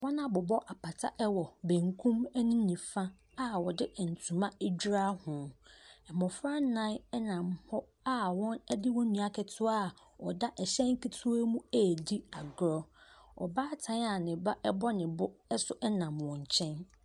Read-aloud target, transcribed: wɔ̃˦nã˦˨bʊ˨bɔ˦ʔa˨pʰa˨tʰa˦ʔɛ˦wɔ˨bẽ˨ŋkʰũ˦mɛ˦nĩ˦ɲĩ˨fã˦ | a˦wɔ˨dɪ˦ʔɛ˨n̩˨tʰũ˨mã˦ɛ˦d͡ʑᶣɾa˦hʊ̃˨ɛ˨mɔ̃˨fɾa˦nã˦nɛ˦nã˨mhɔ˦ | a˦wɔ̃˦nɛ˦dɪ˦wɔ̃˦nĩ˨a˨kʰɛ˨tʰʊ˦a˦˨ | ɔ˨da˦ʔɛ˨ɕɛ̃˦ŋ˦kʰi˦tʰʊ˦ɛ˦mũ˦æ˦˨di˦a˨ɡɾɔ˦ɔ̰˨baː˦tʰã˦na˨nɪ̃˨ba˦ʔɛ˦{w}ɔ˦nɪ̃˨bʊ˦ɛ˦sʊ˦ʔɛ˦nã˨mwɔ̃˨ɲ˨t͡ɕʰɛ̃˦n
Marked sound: incorrect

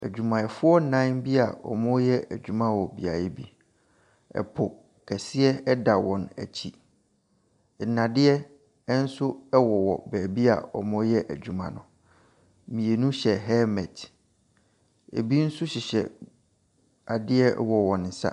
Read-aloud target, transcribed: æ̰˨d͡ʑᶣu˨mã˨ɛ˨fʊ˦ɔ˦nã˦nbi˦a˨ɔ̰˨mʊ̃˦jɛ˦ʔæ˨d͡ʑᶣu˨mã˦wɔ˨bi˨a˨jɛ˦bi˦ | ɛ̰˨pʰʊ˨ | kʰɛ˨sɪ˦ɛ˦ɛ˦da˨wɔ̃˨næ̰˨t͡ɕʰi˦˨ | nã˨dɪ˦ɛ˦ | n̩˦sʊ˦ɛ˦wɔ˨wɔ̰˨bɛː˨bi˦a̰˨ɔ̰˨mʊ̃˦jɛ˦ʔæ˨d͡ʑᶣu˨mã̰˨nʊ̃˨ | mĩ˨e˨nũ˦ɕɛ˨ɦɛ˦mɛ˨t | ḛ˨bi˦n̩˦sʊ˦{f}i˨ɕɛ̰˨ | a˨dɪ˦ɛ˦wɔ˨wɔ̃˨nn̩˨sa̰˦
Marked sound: incorrect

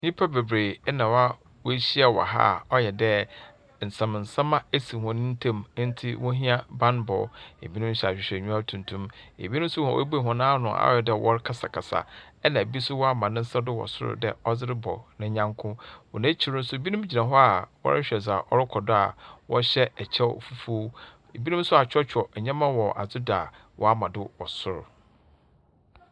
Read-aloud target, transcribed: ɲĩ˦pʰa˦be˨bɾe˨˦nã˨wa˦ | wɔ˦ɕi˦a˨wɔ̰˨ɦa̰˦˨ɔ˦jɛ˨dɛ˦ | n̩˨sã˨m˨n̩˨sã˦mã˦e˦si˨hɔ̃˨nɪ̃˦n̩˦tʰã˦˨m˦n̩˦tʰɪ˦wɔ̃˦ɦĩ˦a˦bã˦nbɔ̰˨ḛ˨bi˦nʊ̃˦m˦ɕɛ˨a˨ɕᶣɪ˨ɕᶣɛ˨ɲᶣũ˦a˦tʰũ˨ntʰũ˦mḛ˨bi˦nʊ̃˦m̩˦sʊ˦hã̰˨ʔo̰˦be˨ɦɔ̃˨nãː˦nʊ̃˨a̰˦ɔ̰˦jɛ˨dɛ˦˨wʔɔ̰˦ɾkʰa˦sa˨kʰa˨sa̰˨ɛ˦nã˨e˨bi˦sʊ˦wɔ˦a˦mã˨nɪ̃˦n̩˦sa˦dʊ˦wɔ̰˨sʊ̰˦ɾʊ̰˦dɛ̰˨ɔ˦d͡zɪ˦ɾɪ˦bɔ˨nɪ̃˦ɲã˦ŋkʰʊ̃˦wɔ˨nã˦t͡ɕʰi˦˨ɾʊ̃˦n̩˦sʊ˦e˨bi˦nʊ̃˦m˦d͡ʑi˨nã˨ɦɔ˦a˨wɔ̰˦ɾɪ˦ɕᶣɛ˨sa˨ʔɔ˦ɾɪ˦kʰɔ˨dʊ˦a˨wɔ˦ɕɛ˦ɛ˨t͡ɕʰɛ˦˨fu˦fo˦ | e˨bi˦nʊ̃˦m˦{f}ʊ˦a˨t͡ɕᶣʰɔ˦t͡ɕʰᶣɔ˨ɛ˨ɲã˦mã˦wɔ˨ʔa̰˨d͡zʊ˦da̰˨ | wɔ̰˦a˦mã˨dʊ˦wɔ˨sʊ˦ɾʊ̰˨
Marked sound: incorrect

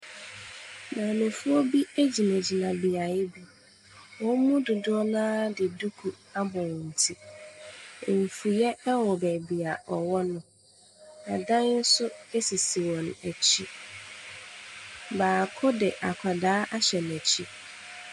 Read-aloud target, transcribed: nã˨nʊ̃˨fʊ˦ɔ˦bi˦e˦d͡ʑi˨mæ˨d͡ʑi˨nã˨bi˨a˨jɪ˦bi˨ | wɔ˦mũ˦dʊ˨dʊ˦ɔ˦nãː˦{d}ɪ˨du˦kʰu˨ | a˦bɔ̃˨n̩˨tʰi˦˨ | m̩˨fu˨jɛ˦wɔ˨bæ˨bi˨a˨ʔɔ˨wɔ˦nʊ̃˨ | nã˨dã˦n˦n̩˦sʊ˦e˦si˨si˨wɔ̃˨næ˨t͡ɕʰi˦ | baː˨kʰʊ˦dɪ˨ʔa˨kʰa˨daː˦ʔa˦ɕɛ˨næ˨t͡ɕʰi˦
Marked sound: correct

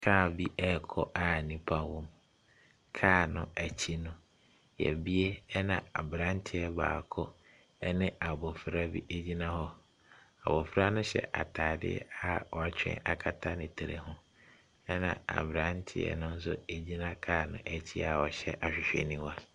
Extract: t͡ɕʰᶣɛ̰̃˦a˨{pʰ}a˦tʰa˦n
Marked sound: incorrect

